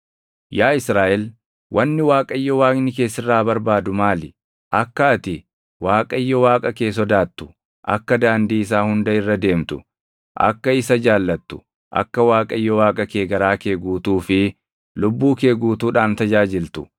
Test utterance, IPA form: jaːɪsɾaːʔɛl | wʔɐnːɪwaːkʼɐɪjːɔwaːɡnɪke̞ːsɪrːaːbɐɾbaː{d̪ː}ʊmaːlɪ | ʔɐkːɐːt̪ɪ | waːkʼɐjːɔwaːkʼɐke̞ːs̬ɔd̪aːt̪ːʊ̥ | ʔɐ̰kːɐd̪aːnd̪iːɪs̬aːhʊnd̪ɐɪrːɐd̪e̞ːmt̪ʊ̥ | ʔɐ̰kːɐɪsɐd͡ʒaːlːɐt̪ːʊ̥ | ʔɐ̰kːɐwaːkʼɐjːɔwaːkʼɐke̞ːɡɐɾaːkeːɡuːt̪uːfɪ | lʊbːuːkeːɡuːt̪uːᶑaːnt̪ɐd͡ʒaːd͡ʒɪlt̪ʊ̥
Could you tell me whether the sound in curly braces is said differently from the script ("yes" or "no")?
yes